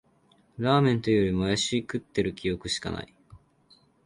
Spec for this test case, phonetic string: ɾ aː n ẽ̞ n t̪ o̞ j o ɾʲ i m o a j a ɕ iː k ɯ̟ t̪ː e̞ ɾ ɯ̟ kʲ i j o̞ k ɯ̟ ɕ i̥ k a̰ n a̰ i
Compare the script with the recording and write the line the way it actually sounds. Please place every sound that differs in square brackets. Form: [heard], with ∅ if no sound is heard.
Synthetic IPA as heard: ɾ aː [m] ẽ̞ n t̪ o̞ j o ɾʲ i m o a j a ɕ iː k ɯ̟ t̪ː e̞ ɾ ɯ̟ kʲ i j o̞ k ɯ̟ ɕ i̥ k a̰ n a̰ i